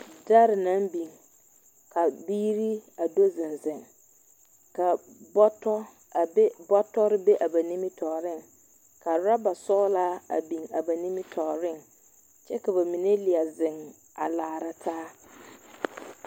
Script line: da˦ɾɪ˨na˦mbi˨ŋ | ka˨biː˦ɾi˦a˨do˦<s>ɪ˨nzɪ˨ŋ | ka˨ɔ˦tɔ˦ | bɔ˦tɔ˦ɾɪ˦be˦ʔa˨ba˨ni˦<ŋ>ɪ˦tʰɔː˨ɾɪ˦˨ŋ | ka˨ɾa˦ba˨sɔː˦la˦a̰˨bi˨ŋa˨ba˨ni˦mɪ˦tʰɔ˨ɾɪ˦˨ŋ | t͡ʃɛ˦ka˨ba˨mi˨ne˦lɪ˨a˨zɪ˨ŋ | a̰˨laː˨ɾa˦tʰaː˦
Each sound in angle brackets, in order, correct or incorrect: incorrect: z, incorrect: m

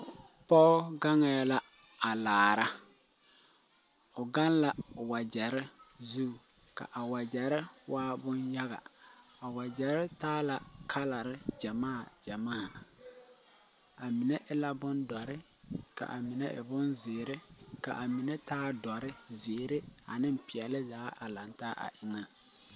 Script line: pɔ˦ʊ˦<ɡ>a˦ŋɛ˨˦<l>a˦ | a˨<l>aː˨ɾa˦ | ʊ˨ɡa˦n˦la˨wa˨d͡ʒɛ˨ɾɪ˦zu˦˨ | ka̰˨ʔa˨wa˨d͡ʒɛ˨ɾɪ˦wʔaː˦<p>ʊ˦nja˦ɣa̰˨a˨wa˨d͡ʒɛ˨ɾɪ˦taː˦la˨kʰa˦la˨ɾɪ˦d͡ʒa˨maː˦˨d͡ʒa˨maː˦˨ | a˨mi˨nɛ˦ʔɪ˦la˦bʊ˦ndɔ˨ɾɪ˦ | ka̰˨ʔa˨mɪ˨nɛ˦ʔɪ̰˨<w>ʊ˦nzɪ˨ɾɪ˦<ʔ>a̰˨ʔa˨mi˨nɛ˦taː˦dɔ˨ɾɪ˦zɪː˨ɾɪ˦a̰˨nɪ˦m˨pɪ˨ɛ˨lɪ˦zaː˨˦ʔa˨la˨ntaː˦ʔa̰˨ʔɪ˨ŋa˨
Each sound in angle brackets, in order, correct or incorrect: correct, correct, correct, incorrect: b, incorrect: b, incorrect: k

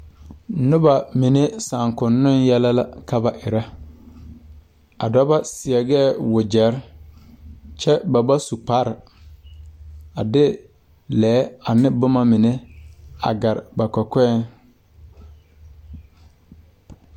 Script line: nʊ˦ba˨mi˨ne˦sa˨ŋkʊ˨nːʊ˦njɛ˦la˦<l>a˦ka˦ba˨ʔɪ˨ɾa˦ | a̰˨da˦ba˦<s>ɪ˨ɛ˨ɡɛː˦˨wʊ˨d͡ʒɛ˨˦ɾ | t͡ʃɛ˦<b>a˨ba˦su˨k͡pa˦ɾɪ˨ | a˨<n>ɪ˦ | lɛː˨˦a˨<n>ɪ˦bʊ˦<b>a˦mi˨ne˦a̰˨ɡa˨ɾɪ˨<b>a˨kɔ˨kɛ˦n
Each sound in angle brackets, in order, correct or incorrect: correct, correct, correct, incorrect: d, correct, incorrect: m, correct

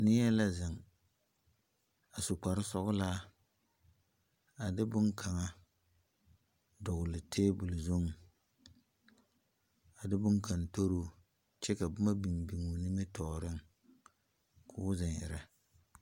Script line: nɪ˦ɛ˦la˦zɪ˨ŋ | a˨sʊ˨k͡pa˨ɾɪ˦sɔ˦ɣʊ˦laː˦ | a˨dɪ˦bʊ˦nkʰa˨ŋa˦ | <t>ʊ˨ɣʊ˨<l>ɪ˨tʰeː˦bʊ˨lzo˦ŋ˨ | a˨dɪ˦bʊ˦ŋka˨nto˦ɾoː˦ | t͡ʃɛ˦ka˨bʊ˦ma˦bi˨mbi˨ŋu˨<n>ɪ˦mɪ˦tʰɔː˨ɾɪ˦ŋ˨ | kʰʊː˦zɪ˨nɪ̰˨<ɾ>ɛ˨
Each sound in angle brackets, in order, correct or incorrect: incorrect: d, correct, correct, correct

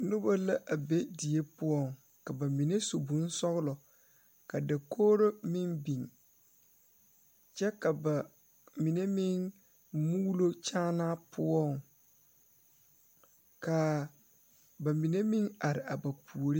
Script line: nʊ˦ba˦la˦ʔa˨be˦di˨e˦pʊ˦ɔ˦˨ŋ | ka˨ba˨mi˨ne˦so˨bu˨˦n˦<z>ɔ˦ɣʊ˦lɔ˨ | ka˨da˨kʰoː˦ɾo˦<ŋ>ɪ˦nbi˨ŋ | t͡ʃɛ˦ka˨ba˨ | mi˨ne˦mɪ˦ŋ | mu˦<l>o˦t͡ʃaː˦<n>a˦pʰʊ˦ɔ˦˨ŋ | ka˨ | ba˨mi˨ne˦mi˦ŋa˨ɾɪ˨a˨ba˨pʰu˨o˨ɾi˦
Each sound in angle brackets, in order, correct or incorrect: incorrect: s, incorrect: m, correct, correct

